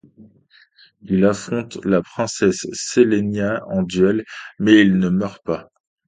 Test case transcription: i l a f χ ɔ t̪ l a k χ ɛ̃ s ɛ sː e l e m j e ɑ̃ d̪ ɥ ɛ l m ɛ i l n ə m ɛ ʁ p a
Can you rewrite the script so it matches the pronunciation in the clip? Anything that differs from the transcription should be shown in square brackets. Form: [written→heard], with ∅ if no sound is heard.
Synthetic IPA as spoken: i l a f χ [ɔ→ɔ̃] t̪ l a [k→p] χ ɛ̃ s ɛ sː e l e [m→n] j [e→a] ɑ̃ d̪ ɥ ɛ l m ɛ i l n ə m [ɛ→œ] ʁ p a